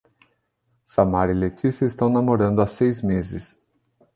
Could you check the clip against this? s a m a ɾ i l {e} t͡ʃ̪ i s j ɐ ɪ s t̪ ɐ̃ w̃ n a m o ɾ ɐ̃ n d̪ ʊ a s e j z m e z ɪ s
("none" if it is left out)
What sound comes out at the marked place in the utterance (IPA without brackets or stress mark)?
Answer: e